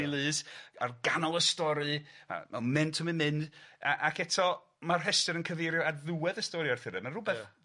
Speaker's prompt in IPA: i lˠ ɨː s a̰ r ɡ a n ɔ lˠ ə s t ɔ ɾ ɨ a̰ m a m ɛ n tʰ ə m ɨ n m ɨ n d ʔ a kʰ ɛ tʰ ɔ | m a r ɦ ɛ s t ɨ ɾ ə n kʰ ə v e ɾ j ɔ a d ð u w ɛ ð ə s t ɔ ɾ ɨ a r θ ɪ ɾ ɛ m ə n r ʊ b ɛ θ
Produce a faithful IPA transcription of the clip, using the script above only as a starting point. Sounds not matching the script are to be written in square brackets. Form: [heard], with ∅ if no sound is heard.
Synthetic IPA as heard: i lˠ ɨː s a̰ r ɡ a n ɔ lˠ ə s t ɔ ɾ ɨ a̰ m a m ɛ n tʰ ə m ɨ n m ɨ n d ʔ a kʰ ɛ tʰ ɔ | m a r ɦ ɛ s t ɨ ɾ ə n kʰ ə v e ɾ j ɔ a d ð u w ɛ ð ə s t ɔ ɾ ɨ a r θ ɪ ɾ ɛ m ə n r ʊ b ɛ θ